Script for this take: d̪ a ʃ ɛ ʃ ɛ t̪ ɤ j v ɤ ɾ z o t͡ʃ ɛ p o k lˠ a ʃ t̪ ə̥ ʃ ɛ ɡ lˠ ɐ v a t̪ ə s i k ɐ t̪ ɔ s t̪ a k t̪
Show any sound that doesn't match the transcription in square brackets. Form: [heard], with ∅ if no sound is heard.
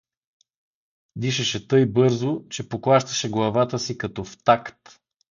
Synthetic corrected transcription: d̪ [i] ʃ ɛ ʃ ɛ t̪ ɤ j [b] ɤ ɾ z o t͡ʃ ɛ p o k lˠ a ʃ t̪ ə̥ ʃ ɛ ɡ lˠ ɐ v a t̪ ə s i k ɐ t̪ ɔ [f] t̪ a k t̪